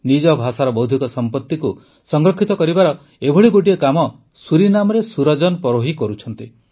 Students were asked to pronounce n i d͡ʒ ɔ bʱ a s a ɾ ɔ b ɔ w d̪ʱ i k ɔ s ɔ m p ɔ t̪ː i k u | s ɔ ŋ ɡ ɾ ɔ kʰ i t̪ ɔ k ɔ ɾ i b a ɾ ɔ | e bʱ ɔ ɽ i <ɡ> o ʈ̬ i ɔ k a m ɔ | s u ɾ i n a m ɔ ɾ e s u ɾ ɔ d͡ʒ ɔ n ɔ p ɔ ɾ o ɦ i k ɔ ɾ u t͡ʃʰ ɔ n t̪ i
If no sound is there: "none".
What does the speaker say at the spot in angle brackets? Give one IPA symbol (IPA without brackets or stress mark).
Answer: ɡ